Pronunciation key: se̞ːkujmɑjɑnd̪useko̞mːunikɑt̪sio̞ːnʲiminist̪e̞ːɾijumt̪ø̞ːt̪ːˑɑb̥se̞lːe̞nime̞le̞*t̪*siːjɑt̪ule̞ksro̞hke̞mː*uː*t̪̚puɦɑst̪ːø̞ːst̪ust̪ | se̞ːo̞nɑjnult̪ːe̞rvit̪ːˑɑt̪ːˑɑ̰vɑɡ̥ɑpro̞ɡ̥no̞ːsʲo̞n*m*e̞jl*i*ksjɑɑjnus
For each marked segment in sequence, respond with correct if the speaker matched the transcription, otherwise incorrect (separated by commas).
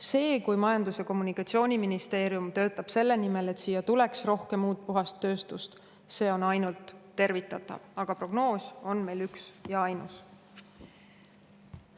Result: correct, correct, correct, incorrect